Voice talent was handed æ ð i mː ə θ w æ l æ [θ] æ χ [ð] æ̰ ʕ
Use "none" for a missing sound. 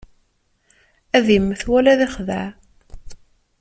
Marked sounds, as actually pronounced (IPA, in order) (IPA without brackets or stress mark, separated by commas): ð, ð